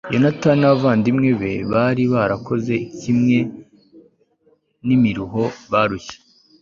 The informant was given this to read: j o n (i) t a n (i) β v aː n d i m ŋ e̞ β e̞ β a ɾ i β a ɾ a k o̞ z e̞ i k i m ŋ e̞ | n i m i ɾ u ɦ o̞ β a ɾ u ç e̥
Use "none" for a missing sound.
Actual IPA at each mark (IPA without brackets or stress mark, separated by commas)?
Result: a, a